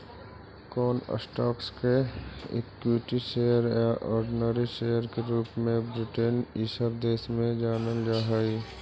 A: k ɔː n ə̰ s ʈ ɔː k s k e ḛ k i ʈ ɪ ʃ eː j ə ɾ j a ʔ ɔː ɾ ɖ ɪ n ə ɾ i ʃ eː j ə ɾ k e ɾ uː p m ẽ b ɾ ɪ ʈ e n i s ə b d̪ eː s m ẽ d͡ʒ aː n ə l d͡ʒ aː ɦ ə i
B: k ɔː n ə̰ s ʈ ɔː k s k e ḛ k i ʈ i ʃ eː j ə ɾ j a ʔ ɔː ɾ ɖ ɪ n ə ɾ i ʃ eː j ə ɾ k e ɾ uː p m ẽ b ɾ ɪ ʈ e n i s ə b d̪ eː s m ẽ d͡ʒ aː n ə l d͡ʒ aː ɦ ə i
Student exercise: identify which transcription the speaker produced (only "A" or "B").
B